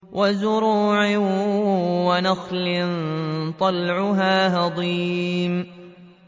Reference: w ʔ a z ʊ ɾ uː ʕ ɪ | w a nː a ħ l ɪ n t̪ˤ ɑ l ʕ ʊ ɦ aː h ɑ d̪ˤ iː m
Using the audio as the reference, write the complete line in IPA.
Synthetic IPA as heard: w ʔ a z ʊ ɾ uː ʕ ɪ | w a n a x l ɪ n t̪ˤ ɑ l ʕ ʊ ɦ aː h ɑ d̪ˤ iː m